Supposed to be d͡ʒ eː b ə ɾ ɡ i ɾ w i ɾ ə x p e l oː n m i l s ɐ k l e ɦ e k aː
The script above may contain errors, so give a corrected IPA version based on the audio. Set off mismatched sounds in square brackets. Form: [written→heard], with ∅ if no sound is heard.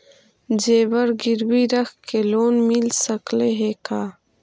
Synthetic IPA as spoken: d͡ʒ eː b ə ɾ ɡ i ɾ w i ɾ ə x [p→k] e l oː n m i l s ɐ k l e ɦ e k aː